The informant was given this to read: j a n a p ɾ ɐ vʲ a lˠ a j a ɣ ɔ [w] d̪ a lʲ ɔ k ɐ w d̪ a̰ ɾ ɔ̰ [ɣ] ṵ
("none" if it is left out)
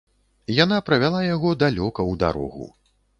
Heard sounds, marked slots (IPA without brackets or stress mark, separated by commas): none, ɣ